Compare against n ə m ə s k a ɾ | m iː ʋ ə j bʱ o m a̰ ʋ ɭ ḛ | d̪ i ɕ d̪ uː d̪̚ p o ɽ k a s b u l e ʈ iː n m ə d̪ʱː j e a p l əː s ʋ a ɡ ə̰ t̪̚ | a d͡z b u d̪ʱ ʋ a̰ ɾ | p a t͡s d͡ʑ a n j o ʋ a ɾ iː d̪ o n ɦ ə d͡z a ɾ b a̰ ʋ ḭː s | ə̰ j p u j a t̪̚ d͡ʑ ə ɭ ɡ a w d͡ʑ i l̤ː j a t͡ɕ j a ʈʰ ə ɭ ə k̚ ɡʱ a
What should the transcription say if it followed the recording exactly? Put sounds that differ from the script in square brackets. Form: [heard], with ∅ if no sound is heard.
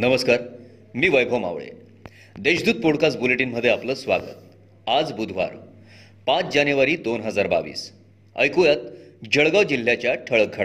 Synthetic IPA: n ə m ə s k a ɾ | m iː ʋ ə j bʱ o m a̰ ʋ ɭ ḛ | d̪ [e] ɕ d̪ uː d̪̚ p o ɽ k a s b u l e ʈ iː n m ə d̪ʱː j e a p l əː s ʋ a ɡ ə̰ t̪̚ | a d͡z b u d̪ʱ ʋ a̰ ɾ | p a t͡s d͡ʑ a n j [u] ʋ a ɾ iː d̪ o n ɦ ə d͡z a ɾ b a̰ ʋ ḭː s | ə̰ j [k] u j a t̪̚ d͡ʑ ə ɭ ɡ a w d͡ʑ i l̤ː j a t͡ɕ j a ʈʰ ə ɭ ə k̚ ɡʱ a